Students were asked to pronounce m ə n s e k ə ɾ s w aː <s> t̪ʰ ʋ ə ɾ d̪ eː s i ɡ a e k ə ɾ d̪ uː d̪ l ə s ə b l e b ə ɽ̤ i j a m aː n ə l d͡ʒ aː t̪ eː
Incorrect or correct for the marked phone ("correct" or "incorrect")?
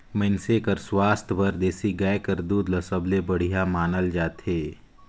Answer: correct